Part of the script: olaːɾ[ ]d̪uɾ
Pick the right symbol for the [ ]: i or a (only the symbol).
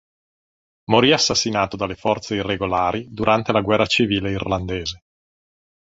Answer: i